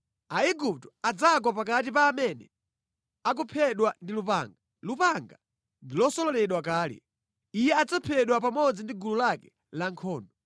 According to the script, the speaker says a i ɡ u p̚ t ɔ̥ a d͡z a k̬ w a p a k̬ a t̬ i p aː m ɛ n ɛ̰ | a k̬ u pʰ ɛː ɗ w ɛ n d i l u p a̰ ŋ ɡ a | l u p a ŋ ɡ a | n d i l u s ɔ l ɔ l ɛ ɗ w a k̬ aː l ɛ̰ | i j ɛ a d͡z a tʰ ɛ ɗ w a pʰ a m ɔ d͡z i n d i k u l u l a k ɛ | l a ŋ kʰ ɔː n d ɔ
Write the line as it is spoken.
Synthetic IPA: a i ɡ u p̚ t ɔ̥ a d͡z a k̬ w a p a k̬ a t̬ i p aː m ɛ n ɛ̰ | a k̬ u pʰ ɛ ɗ w a n d i l u p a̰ ŋ ɡ a | l u p a ŋ ɡ a | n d i l ɔ s ɔ l ɔ l ɛ ɗ w a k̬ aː l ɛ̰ | i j ɛ a d͡z a pʰ ɛ ɗ w a p a m ɔ d͡z i n d i ɡ u l u l a k ɛ | l a ŋ kʰ ɔː n d ɔ

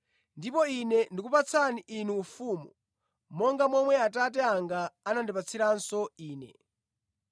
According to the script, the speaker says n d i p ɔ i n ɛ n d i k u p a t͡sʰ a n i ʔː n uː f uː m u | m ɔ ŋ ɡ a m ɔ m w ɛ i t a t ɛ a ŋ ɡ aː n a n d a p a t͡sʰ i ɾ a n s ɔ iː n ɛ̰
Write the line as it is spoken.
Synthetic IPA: n d i p ɔ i n ɛ n d i k u p a t͡sʰ a n i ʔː n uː f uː m u | m ɔ ŋ ɡ a m ɔ m w ɛ a t a t ɛ a ŋ ɡ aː n a n d i p a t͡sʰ i ɾ a n s ɔ iː n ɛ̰

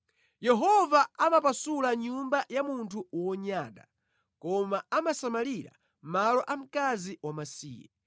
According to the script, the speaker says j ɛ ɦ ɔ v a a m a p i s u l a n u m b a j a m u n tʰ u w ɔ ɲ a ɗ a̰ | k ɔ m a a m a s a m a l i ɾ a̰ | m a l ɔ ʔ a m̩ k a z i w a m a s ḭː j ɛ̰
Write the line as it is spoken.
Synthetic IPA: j ɛ ɦ ɔ v a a m a p a s u l a ɲ u m b a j a m u n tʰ u w ɔ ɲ a ɗ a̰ | k ɔ m a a m a s a m a l i ɾ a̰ | m a l ɔ ʔ a m̩ k a z i w a m a s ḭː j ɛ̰

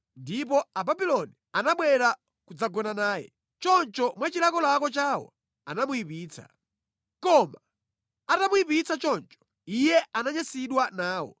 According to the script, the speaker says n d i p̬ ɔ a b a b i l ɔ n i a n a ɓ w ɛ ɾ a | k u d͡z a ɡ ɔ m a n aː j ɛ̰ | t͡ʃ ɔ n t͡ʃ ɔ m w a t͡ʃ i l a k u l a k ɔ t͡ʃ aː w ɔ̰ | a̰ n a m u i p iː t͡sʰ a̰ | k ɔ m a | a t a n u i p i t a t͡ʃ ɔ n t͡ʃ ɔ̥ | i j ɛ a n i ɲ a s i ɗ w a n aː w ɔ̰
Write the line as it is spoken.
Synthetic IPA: n d i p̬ ɔ a b a b i l ɔ n i a n a ɓ w ɛ ɾ a | k u d͡z a ɡ ɔ n a n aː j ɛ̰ | t͡ʃ ɔ n t͡ʃ ɔ m w a t͡ʃ i l a k ɔ l a k ɔ t͡ʃ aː w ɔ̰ | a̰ n a m u i p iː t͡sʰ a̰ | k ɔ m a | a t a m u i p i t͡s a t͡ʃ ɔ n t͡ʃ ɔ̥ | i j ɛ a n a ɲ a s i ɗ w a n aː w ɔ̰

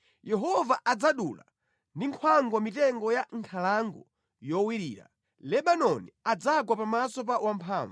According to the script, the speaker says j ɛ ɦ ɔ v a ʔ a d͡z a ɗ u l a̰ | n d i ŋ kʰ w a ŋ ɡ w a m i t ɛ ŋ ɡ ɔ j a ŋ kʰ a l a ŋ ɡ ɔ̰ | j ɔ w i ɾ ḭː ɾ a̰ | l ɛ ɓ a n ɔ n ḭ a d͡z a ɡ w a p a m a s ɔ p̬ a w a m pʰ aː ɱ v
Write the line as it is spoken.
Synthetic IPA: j ɛ ɦ ɔ v a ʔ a d͡z a ɗ u l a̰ | n d i ŋ kʰ w a ŋ ɡ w a m i t ɛ ŋ ɡ ɔ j a ŋ kʰ a l a ŋ ɡ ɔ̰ | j ɔ w i ɾ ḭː ɾ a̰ | l ɛ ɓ a n ɔ n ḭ a d͡z a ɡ w a p a m a s ɔ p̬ a w a m pʰ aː ɱ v

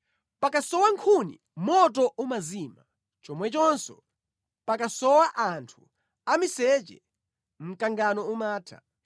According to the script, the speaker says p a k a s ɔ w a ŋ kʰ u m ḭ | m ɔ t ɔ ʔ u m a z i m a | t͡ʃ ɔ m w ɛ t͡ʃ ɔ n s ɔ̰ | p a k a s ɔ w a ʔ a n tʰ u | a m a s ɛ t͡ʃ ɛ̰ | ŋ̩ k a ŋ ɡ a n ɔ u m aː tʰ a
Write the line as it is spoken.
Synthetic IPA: p a k a s ɔ w a ŋ kʰ u n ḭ | m ɔ t ɔ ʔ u m a z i m a | t͡ʃ ɔ m w ɛ t͡ʃ ɔ n s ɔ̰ | p a k a s ɔ w a ʔ a n tʰ u | a m i s ɛ t͡ʃ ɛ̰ | m̩ k a ŋ ɡ a n ɔ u m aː tʰ a

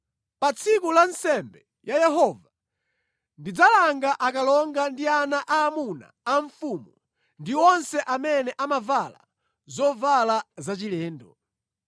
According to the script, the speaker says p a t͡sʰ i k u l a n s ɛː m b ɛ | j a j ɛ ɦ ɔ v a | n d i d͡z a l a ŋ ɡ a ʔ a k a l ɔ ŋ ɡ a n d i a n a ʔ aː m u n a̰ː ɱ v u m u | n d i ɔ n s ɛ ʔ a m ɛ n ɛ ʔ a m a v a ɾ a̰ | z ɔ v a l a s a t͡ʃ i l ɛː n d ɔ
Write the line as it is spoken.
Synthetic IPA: p a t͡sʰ i k u l a n s ɛ m b ɛ | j a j ɛ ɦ ɔ v a | n d i d͡z a l a ŋ ɡ a ʔ a k a l ɔ ŋ ɡ a n d i a n a ʔ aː m u n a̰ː ɱ f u m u | n d i ɔ n s ɛ ʔ a m ɛ n ɛ ʔ a m a v a l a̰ | z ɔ v a l a z a t͡ʃ i l ɛː n d ɔ

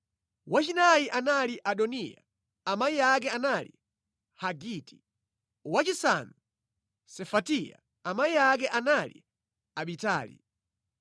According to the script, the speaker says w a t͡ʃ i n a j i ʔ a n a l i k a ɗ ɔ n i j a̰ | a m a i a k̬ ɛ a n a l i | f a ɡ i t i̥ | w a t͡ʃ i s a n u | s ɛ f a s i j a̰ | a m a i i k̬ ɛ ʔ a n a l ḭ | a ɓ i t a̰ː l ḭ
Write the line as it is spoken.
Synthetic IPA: w a t͡ʃ i n a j i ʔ a n a l i ʔ a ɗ ɔ n i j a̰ | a m a i a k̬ ɛ a n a l i | h a ɡ i t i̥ | w a t͡ʃ i s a n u | s ɛ f a t i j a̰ | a m a i a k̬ ɛ ʔ a n a l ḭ | a ɓ i t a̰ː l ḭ

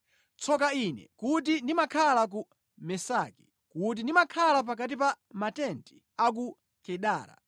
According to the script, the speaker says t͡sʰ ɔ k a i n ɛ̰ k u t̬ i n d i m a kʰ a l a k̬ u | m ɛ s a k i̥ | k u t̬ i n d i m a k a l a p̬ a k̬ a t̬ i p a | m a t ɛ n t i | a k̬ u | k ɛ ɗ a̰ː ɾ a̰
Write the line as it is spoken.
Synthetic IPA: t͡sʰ ɔ k a i n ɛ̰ k u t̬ i n d i m a kʰ a l a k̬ u | m ɛ s a k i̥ | k u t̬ i n d i m a kʰ a l a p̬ a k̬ a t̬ i p a | m a t ɛ n t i | a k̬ u | k ɛ ɗ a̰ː ɾ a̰

